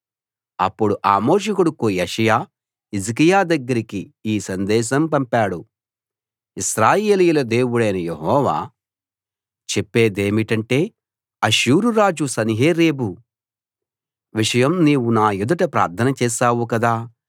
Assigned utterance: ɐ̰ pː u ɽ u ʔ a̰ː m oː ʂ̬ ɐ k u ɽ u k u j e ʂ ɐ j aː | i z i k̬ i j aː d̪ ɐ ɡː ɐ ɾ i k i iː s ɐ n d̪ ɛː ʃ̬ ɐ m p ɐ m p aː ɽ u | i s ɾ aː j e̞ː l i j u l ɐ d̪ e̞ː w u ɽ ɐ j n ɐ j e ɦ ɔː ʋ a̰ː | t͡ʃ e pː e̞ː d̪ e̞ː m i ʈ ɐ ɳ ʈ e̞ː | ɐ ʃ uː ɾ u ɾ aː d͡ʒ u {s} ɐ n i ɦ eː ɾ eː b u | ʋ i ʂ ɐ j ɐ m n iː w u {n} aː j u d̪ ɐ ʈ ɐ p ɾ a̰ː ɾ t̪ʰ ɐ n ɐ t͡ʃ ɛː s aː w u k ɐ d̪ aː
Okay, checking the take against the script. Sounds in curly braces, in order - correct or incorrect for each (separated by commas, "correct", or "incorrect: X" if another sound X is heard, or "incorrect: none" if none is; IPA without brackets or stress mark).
correct, correct